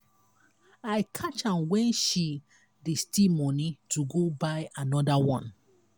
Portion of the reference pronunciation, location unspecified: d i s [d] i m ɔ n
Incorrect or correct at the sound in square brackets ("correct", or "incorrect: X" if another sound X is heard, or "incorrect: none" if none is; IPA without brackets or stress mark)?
incorrect: t